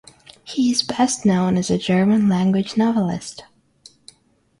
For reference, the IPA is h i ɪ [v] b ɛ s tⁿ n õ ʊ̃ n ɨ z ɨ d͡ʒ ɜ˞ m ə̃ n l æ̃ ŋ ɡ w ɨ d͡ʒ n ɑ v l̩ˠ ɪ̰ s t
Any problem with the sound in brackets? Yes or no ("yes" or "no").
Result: yes